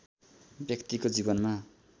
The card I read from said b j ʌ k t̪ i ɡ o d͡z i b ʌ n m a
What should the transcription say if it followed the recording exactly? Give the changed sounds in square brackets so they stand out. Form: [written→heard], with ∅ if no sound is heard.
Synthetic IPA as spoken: b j ʌ k t̪ i [ɡ→k] o d͡z i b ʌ n m a